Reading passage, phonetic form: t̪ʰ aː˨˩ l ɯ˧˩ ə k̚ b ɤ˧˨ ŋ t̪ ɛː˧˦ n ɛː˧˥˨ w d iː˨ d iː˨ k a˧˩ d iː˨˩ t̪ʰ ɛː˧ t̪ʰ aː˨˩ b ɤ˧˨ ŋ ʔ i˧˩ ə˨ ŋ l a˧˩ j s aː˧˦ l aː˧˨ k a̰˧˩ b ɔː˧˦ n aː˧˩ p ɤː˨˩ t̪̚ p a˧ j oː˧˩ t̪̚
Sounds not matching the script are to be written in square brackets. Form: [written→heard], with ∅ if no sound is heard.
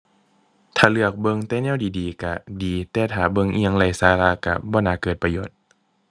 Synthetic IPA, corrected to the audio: t̪ʰ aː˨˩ l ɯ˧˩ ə k̚ b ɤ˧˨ ŋ t̪ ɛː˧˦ n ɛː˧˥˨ w d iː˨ d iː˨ k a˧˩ d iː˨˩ [t̪ʰ→t̪] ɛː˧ t̪ʰ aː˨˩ b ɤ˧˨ ŋ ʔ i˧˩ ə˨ ŋ l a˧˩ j s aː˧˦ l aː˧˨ k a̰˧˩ b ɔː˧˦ n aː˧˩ [p→k] ɤː˨˩ t̪̚ p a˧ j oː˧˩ t̪̚

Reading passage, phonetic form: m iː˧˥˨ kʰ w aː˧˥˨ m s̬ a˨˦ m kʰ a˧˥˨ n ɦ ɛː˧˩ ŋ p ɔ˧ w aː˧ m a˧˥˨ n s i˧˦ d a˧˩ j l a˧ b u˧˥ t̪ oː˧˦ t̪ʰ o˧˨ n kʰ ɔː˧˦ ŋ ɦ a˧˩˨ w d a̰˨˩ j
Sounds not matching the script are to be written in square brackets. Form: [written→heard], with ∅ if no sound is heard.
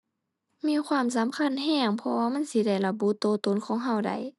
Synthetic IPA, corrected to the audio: m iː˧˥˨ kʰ w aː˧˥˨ m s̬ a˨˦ m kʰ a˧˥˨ n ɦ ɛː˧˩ ŋ [p→pʰ] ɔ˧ w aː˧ m a˧˥˨ n s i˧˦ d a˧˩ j l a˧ b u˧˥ t̪ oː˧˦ [t̪ʰ→t̪] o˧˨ n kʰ ɔː˧˦ ŋ ɦ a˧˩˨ w d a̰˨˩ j

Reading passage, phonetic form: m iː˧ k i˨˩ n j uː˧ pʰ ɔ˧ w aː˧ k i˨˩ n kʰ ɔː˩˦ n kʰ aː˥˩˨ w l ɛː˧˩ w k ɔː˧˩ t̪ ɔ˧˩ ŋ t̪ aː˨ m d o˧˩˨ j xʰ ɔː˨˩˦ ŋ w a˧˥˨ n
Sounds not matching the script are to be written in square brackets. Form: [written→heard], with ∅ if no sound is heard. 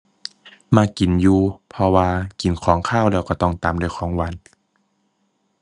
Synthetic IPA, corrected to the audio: m [iː˧→aː˧] k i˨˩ n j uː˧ pʰ ɔ˧ w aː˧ k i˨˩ n kʰ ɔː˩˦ [n→ŋ] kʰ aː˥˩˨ w l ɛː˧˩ w k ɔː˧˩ t̪ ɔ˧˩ ŋ t̪ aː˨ m d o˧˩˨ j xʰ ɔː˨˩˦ ŋ w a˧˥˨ n

